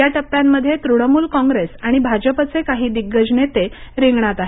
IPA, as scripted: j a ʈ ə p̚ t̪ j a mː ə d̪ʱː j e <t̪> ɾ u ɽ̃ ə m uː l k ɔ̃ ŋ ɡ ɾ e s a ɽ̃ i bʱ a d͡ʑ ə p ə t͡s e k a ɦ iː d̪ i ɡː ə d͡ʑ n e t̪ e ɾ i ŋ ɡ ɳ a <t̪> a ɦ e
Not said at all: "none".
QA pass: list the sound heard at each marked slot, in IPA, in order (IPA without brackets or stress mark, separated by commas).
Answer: t̪, t̪